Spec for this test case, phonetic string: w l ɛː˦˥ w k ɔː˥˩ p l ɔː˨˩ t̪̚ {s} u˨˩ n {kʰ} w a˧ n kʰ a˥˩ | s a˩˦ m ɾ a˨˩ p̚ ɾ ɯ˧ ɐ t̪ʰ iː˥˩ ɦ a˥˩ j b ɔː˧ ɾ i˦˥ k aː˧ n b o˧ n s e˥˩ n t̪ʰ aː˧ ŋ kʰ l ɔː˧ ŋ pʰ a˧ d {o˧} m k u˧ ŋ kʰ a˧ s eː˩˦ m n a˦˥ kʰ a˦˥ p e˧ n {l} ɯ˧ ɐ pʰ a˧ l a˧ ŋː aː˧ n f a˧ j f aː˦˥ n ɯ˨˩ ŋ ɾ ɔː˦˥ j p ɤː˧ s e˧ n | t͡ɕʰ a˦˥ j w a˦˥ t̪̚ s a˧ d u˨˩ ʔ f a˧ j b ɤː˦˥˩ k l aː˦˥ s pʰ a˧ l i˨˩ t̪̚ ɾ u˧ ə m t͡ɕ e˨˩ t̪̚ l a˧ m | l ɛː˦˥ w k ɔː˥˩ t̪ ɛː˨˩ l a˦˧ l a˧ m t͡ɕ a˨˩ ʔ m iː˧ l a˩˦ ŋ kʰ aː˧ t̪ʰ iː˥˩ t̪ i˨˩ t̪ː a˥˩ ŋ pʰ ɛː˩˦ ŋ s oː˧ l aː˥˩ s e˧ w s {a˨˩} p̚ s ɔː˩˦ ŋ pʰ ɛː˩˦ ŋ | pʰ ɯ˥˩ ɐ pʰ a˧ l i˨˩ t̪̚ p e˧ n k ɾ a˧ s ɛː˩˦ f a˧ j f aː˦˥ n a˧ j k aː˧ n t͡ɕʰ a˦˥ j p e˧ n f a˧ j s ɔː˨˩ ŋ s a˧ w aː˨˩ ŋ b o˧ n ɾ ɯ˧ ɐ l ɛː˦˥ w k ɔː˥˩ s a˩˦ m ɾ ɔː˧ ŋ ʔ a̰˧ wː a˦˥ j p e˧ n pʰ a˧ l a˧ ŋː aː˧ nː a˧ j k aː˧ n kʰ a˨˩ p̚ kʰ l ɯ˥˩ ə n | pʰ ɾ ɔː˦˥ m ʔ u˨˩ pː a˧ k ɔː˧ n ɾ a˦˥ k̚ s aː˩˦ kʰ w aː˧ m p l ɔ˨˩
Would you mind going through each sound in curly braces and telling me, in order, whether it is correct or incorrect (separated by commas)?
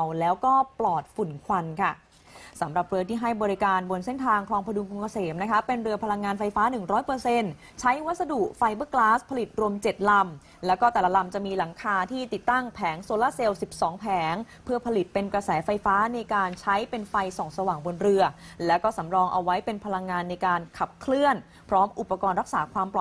incorrect, correct, incorrect, incorrect, incorrect